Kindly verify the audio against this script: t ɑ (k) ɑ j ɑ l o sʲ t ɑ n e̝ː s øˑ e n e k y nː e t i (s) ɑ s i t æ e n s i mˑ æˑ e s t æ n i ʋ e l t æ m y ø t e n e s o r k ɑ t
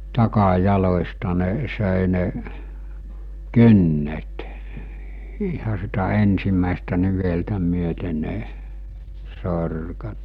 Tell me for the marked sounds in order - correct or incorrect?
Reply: correct, incorrect: h

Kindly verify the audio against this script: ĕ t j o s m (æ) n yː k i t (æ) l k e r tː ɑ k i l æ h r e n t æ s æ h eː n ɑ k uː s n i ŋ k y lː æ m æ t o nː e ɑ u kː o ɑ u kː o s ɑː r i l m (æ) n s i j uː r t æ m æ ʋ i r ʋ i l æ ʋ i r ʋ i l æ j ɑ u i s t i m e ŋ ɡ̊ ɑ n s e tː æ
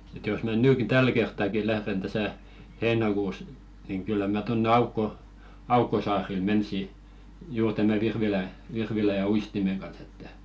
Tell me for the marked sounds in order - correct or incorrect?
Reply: correct, correct, incorrect: e

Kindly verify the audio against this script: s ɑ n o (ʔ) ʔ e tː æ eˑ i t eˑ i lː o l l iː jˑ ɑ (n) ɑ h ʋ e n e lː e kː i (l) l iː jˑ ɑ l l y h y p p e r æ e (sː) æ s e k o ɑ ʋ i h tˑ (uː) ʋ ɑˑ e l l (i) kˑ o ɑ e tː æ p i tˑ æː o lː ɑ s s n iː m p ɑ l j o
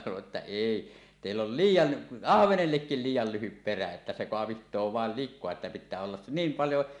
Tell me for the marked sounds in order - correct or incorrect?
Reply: correct, correct, correct, incorrect: tː, incorrect: oː, correct

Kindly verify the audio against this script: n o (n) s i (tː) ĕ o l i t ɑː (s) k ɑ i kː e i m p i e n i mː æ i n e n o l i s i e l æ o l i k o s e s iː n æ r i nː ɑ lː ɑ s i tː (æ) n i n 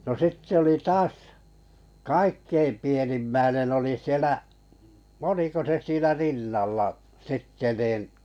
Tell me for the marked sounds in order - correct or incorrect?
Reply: incorrect: none, correct, correct, incorrect: e

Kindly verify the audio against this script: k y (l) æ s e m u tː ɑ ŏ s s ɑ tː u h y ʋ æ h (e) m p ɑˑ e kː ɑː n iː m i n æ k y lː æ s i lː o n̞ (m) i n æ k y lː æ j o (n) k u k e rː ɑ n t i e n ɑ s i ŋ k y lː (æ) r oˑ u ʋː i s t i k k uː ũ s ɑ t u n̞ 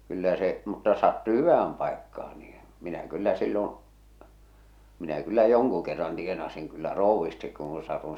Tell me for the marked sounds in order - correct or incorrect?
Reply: incorrect: lː, incorrect: æ, correct, incorrect: ŋ, correct

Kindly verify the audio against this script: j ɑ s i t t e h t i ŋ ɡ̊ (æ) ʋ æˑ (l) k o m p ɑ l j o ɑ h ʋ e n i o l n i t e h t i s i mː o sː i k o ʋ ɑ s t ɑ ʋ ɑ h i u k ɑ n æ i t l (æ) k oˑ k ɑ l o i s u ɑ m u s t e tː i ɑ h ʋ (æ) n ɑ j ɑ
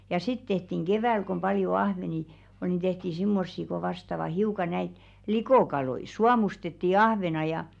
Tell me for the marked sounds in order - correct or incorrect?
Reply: incorrect: e, correct, incorrect: i, incorrect: e

